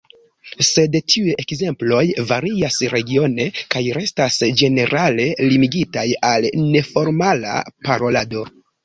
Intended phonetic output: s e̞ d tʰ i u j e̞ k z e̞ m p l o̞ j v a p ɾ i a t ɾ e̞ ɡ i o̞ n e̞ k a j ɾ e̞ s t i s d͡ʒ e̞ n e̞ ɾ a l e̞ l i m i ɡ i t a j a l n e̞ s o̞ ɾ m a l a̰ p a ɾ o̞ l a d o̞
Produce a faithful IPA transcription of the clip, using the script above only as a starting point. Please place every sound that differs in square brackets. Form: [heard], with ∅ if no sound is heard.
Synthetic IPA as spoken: s e̞ d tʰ i u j e̞ k z e̞ m p l o̞ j v a [∅] ɾ i a [s] ɾ e̞ ɡ i o̞ n e̞ k a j ɾ e̞ s t [a] s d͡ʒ e̞ n e̞ ɾ a l e̞ l i m i ɡ i t a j a l n e̞ [f] o̞ ɾ m a l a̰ p a ɾ o̞ l a d o̞